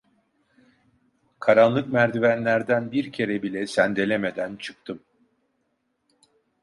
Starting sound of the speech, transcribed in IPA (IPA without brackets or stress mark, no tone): kʰ